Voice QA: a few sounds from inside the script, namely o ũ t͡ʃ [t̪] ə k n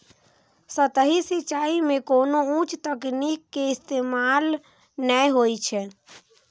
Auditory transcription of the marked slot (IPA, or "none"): t̪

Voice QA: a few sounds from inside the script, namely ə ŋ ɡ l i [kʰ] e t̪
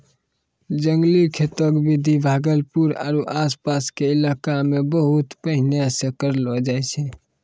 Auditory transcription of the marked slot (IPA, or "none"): kʰ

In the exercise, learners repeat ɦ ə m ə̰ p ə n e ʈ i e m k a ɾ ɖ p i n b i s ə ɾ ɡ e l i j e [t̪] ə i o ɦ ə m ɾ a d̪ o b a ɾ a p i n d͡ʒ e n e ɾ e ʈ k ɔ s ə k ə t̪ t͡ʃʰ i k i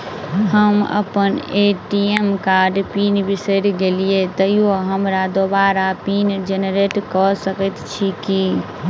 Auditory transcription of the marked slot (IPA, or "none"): t̪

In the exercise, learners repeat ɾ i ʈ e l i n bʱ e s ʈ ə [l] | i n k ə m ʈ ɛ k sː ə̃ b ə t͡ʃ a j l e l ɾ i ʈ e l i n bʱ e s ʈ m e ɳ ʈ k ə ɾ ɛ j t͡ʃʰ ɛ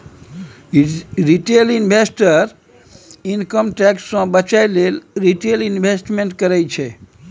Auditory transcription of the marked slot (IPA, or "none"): ɾ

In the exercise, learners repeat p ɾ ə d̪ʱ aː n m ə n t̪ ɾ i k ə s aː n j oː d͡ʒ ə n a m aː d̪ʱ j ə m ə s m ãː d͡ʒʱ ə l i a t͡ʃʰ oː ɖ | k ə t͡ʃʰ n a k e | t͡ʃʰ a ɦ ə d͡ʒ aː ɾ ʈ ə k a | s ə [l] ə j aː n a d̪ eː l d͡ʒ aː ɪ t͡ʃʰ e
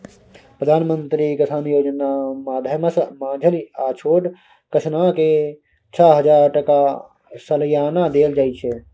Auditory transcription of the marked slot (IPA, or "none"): l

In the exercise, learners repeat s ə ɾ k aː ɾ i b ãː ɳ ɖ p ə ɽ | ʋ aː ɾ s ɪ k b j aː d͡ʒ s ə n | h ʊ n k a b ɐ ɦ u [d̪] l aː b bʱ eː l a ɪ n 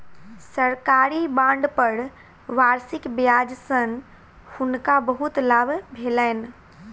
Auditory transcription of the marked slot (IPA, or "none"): t̪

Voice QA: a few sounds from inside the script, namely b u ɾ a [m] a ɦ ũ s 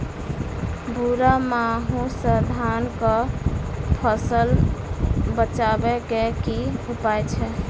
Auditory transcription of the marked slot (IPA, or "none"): m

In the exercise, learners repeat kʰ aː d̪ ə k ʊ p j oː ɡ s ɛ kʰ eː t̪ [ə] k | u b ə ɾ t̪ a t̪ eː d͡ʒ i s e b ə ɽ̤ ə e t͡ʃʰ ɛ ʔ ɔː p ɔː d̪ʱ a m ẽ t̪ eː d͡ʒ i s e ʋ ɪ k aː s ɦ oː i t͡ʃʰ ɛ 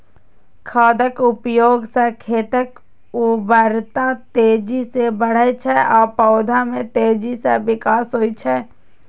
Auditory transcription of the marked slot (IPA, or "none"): ə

